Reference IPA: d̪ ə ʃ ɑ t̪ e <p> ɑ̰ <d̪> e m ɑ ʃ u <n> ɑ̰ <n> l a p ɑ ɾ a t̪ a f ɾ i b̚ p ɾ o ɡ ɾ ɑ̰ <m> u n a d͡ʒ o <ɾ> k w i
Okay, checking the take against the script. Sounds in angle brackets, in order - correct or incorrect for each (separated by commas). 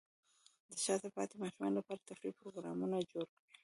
correct, incorrect, incorrect, correct, correct, correct